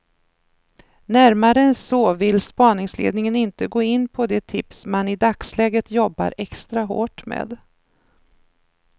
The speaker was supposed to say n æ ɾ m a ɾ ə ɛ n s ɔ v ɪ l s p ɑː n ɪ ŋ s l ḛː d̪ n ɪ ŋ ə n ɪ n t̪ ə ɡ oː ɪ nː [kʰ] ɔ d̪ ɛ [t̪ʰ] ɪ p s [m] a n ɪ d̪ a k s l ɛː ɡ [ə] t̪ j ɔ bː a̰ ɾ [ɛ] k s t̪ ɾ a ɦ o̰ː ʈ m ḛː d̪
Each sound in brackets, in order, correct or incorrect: incorrect: pʰ, correct, correct, correct, correct

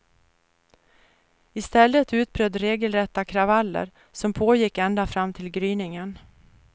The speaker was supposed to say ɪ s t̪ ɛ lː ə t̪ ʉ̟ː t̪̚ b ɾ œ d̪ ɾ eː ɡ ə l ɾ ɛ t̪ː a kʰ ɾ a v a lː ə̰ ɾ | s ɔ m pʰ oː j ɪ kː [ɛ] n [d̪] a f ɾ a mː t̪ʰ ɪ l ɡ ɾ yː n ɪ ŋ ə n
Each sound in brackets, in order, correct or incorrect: correct, correct

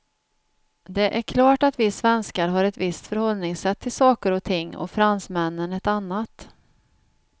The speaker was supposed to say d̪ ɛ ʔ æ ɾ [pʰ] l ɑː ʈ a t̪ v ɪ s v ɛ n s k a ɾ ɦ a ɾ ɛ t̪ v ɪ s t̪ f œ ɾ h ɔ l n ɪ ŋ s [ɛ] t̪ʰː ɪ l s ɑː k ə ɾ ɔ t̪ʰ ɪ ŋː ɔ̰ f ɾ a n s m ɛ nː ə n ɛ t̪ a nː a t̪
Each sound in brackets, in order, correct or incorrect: incorrect: kʰ, correct

